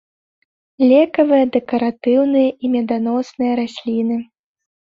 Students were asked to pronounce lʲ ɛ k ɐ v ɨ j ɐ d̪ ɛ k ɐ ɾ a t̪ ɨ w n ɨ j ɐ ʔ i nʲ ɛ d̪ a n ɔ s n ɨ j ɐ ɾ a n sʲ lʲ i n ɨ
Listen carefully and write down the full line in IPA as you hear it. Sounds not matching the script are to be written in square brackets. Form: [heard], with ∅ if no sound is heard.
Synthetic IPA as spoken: lʲ ɛ k ɐ v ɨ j ɐ d̪ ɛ k ɐ ɾ a t̪ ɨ w n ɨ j ɐ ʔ i [mʲ] ɛ d̪ a n ɔ s n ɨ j ɐ ɾ a [∅] sʲ lʲ i n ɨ